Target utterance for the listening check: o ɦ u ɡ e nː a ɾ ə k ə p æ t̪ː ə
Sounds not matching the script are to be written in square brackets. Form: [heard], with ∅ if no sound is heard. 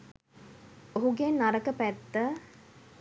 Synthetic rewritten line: o ɦ u ɡ e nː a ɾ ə k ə p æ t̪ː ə

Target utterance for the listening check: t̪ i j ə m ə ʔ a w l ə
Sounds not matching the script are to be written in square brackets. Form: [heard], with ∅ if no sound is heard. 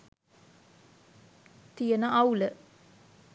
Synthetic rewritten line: t̪ i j ə [n] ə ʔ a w l ə

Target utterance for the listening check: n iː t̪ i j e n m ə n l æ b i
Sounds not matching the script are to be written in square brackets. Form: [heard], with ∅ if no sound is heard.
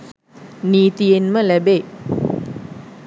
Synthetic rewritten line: n iː t̪ i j e n m ə [∅] l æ b [e]

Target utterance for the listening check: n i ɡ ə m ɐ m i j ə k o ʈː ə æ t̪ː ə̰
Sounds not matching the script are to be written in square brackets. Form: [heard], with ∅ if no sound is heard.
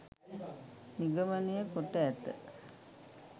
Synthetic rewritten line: n i ɡ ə m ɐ [n] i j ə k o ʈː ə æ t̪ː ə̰

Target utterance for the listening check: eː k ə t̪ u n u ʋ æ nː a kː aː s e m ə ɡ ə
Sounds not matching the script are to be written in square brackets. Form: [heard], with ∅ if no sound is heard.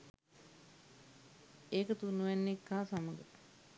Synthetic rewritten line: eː k ə t̪ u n u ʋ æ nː [e] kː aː s [a] m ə ɡ ə

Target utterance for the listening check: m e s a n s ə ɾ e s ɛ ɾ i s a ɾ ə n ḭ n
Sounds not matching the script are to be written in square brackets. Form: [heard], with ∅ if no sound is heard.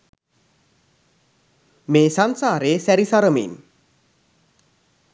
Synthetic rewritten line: m e s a n s [a] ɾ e s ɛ ɾ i s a ɾ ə [m] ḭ n

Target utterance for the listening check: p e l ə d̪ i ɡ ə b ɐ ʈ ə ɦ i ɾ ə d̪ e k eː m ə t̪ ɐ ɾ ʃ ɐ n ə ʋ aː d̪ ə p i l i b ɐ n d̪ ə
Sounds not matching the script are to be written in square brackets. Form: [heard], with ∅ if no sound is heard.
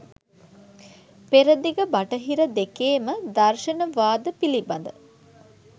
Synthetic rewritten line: p e [ɾ] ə d̪ i ɡ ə b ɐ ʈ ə ɦ i ɾ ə d̪ e k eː m ə [d̪] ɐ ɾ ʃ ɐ n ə ʋ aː d̪ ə p i l i b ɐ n d̪ ə

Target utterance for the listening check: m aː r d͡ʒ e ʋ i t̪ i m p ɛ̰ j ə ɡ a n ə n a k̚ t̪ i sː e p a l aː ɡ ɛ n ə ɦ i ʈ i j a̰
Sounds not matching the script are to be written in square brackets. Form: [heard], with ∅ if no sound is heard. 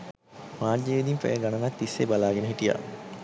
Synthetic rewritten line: m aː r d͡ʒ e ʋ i [d̪] i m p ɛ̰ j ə ɡ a n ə n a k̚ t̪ i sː e [b] a l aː ɡ [e] n ə ɦ i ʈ i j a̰

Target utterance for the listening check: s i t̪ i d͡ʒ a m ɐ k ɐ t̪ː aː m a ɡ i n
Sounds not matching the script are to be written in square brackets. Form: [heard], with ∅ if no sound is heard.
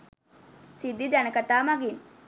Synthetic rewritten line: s i [d̪] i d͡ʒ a [n] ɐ k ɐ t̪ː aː m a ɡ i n

